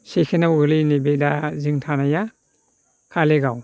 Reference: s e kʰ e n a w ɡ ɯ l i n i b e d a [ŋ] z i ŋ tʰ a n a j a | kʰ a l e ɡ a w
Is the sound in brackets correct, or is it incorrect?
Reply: incorrect